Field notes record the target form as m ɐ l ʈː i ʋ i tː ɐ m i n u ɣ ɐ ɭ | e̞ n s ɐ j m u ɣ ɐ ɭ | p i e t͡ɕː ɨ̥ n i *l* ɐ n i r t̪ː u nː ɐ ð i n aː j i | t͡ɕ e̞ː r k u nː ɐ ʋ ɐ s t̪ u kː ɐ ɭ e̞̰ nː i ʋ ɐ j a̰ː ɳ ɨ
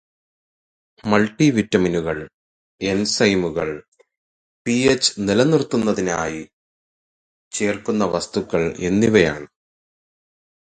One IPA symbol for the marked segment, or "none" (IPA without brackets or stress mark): l